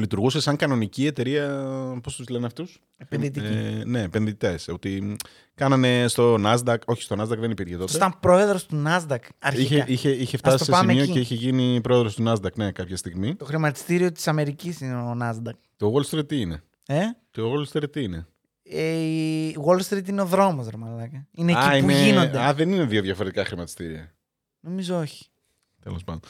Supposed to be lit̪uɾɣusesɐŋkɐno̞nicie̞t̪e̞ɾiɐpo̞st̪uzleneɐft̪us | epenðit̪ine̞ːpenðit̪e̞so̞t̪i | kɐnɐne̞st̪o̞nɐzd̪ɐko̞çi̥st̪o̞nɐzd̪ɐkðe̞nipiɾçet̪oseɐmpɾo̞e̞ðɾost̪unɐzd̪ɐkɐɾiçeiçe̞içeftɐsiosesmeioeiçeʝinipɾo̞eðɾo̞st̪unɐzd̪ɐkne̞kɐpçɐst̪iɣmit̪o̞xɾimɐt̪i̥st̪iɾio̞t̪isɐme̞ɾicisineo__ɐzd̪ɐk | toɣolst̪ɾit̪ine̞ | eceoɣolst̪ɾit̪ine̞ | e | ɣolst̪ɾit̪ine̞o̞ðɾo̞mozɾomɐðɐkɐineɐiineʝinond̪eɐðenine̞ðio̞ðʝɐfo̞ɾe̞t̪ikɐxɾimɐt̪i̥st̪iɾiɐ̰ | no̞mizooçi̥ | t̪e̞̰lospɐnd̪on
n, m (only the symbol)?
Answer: n